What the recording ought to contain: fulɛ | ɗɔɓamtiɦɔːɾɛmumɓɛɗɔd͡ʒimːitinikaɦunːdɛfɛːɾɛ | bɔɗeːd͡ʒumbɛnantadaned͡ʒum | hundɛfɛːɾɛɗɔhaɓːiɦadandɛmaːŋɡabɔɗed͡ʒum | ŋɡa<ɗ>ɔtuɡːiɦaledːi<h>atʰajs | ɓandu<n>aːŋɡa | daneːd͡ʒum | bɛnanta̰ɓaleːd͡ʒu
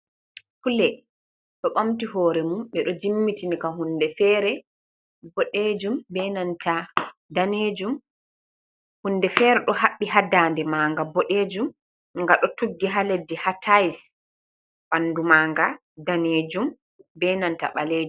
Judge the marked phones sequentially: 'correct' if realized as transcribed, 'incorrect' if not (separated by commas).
correct, correct, incorrect